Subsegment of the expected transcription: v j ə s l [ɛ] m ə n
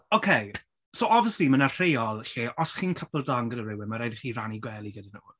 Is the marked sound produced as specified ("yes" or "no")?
no